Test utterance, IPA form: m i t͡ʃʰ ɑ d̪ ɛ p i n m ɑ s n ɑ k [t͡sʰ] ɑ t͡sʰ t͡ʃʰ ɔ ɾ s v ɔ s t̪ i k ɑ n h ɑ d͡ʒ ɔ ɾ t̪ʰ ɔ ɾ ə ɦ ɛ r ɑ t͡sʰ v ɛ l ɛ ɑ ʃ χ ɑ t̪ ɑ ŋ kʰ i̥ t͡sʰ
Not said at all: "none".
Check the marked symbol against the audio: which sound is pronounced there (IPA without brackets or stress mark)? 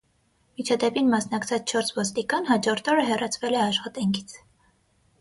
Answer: t͡sʰ